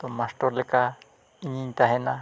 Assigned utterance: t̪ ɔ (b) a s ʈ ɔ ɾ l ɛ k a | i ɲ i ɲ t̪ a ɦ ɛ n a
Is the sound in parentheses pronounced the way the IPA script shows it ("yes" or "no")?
no